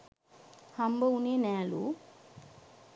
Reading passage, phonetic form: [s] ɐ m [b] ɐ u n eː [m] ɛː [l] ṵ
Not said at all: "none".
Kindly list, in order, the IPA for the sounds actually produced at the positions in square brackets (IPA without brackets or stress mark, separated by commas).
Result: h, b, n, l